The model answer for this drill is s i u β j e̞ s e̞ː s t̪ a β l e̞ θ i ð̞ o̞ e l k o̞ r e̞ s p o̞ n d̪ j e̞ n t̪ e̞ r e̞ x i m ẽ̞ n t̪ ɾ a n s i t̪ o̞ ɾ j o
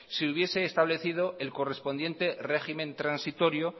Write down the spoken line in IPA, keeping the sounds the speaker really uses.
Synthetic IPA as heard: s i u β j e̞ s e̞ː s t̪ a β l e̞ θ i ð̞ o̞ e l k o̞ r e̞ s p o̞ n d̪ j e̞ n t̪ e̞ r e̞ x i m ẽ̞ n t̪ ɾ a n s i t̪ o̞ ɾ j o

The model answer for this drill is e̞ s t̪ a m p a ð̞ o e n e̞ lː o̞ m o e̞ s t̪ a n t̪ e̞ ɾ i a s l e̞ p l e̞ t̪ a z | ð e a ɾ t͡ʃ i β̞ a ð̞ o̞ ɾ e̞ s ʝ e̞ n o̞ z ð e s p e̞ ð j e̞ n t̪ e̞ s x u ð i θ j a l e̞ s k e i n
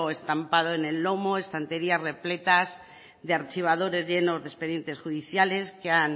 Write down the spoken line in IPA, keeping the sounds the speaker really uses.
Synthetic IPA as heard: e̞ s t̪ a m p a ð̞ o e n e̞ lː o̞ m o e̞ s t̪ a n t̪ e̞ ɾ i a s r e̞ p l e̞ t̪ a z | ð e a ɾ t͡ʃ i β̞ a ð̞ o̞ ɾ e̞ z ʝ e̞ n o̞ z ð e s p e̞ ð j e̞ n t̪ e̞ s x u ð i θ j a l e̞ s k e a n

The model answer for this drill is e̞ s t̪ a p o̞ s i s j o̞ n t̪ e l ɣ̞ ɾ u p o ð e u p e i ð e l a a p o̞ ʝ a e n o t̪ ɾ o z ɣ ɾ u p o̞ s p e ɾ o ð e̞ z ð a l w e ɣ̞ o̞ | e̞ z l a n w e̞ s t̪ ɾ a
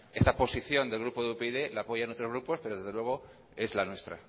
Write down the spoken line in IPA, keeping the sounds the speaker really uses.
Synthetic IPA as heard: e̞ s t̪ a p o̞ s i θ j o̞ n d̪ e l ɣ̞ ɾ u p o ð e u p e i ð e l a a p o̞ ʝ a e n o t̪ ɾ o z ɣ ɾ u p o̞ s p e ɾ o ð e̞ z ð e l w e ɣ̞ o̞ | e̞ z l a n w e̞ s t̪ ɾ a

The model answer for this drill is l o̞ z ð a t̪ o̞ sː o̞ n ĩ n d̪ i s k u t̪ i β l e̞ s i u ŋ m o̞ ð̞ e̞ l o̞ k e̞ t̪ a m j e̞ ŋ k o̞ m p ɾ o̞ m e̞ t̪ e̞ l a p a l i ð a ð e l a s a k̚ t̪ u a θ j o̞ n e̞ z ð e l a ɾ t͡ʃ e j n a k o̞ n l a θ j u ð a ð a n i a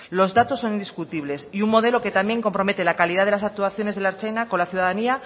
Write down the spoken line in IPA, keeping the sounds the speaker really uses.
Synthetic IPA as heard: l o̞ z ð a t̪ o̞ sː o̞ n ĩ n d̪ i s k u t̪ i β l e̞ s i u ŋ m o̞ ð̞ e̞ l o̞ k e̞ t̪ a m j e̞ ŋ k o̞ m p ɾ o̞ m e̞ t̪ e̞ l a k a l i ð a ð e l a s a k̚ t̪ u a θ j o̞ n e̞ z ð e l a ɾ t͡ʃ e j n a k o̞ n l a θ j u ð a ð a n i a

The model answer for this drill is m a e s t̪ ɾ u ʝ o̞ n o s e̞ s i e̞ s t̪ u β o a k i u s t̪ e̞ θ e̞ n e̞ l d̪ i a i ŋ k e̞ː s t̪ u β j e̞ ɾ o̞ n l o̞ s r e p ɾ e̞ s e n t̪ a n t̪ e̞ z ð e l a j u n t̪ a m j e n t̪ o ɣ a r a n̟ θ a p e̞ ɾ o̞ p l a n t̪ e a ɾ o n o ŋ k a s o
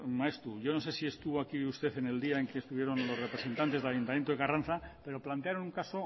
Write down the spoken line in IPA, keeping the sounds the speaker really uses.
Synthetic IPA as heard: m a e s t̪ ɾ u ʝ o̞ n o s e̞ s i e̞ s t̪ u β o a k i u s t̪ e̞ θ e̞ n e̞ l d̪ i a e ŋ k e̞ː s t̪ u β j e̞ ɾ o̞ n l o̞ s r e p ɾ e̞ s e n t̪ a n t̪ e̞ z ð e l a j u n t̪ a m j e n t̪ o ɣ a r a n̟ θ a p e̞ ɾ o̞ p l a n t̪ e a ɾ o n u ŋ k a s o

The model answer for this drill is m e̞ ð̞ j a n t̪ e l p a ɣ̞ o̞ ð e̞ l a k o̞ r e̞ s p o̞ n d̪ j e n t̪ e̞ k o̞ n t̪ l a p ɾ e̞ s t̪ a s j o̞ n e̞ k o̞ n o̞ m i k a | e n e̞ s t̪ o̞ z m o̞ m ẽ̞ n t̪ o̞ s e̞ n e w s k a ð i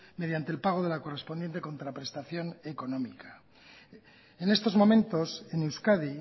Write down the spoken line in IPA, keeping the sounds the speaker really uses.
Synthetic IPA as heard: m e̞ ð̞ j a n t̪ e l p a ɣ̞ o̞ ð e̞ l a k o̞ r e̞ s p o̞ n d̪ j e n t̪ e̞ k o̞ n t̪ ɾ a p ɾ e̞ s t̪ a θ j o̞ n e̞ k o̞ n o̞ m i k a | e n e̞ s t̪ o̞ z m o̞ m ẽ̞ n t̪ o̞ s e̞ n e w s k a ð i

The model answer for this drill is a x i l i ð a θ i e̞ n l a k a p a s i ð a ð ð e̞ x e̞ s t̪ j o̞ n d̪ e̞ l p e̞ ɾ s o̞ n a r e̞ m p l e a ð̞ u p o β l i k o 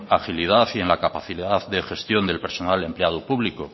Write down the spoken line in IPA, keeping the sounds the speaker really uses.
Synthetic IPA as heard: a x i l i ð a θ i e̞ n l a k a p a θ i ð a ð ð e̞ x e̞ s t̪ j o̞ n d̪ e̞ l p e̞ ɾ s o̞ n a l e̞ m p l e a ð̞ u p u β l i k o

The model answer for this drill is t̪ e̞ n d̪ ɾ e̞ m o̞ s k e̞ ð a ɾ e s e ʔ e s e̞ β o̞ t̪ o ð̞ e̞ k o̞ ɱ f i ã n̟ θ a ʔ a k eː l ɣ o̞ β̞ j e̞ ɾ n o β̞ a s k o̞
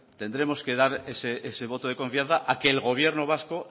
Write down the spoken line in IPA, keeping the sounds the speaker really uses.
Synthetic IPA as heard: t̪ e̞ n d̪ ɾ e̞ m o̞ s k e̞ ð a ɾ e s e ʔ e s e̞ β o̞ t̪ o ð̞ e̞ k o̞ ɱ f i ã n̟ θ a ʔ a k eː l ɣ o̞ β̞ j e̞ ɾ n o β̞ a s k o̞

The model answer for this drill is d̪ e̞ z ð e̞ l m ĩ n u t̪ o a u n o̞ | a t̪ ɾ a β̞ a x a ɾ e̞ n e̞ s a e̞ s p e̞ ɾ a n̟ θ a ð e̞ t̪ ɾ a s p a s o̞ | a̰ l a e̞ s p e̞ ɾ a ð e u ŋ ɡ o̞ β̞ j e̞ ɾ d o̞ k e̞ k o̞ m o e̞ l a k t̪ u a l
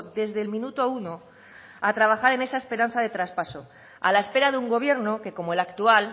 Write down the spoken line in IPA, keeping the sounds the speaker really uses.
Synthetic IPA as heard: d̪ e̞ z ð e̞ l m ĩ n u t̪ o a u n o̞ | a t̪ ɾ a β̞ a x a ɾ e̞ n e̞ s a e̞ s p e̞ ɾ a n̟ θ a ð e̞ t̪ ɾ a s p a s o̞ | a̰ l a e̞ s p e̞ ɾ a ð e u ŋ ɡ o̞ β̞ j e̞ ɾ n o̞ k e̞ k o̞ m o e̞ l a k t̪ u a l

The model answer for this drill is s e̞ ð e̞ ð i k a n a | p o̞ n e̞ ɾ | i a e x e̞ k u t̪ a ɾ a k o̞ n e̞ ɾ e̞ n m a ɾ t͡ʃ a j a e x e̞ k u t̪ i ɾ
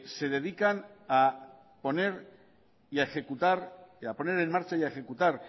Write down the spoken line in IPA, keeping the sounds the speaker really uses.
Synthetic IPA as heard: s e̞ ð e̞ ð i k a n a | p o̞ n e̞ ɾ | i a e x e̞ k u t̪ a ɾ a p o̞ n e̞ ɾ e̞ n m a ɾ t͡ʃ a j a e x e̞ k u t̪ a ɾ

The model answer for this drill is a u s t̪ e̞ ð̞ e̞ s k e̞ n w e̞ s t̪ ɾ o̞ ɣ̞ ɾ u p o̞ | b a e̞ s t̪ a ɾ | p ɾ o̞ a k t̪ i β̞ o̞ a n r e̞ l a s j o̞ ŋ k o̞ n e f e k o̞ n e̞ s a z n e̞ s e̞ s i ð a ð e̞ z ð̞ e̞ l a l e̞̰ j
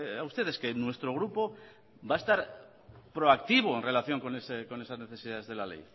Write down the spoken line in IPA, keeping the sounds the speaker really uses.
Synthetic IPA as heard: a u s t̪ e̞ ð̞ e̞ s k e̞ n w e̞ s t̪ ɾ o̞ ɣ̞ ɾ u p o̞ | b a e̞ s t̪ a ɾ | p ɾ o̞ a k t̪ i β̞ o̞ e n r e̞ l a θ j o̞ ŋ k o̞ n e s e k o̞ n e̞ s a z n e̞ θ e̞ s i ð a ð e̞ z ð̞ e̞ l a l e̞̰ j

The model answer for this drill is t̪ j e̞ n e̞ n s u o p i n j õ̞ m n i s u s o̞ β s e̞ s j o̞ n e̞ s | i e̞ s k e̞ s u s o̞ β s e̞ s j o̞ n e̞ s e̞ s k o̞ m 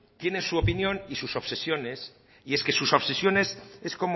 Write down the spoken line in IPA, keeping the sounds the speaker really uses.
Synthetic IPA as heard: t̪ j e̞ n e̞ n s u o p i n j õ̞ n i s u s o̞ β s e̞ s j o̞ n e̞ s | i e̞ s k e̞ s u s o̞ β s e̞ s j o̞ n e̞ s e̞ s k o̞ m

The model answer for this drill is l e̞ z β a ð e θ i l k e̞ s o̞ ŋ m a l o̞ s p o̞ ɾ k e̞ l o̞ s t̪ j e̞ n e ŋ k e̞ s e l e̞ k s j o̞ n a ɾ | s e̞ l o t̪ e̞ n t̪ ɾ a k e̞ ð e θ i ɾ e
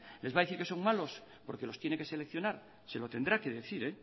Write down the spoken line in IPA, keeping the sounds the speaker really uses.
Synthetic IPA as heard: l e̞ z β a ð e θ i ɾ k e̞ s o̞ ŋ m a l o̞ s p o̞ ɾ k e̞ l o̞ s t̪ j e̞ n e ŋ k e̞ s e l e̞ k θ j o̞ n a ɾ | s e̞ l o t̪ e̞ n d̪ ɾ a k e̞ ð e θ i ɾ e

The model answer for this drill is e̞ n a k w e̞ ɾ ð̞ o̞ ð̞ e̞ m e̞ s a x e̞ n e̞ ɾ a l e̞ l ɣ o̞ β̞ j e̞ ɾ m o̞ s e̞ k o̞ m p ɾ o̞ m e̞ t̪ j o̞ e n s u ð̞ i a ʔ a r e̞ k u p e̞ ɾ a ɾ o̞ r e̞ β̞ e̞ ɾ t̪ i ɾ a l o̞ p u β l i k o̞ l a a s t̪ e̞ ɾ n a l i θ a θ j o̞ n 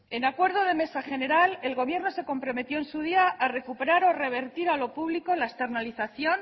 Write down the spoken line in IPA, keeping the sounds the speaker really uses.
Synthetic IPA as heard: e̞ n a k w e̞ ɾ ð̞ o̞ ð̞ e̞ m e̞ s a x e̞ n e̞ ɾ a l e̞ l ɣ o̞ β̞ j e̞ ɾ n o̞ s e̞ k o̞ m p ɾ o̞ m e̞ t̪ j o̞ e n s u ð̞ i a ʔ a r e̞ k u p e̞ ɾ a ɾ o̞ r e̞ β̞ e̞ ɾ t̪ i ɾ a l o̞ p u β l i k o̞ l a e s t̪ e̞ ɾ n a l i θ a θ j o̞ n

